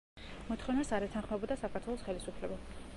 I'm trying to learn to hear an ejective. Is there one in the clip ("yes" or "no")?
no